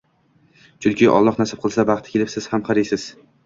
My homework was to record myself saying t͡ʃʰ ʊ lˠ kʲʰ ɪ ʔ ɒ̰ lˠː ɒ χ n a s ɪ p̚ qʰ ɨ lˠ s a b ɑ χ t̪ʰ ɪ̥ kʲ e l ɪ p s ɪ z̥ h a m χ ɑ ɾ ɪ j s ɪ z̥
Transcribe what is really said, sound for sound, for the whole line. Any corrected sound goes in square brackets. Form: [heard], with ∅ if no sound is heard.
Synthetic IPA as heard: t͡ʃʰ ʊ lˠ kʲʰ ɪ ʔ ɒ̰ lˠː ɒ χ n a s ɪ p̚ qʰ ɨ lˠ s a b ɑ χ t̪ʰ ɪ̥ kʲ e l ɪ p s ɪ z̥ h a m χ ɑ ɾ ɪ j s ɪ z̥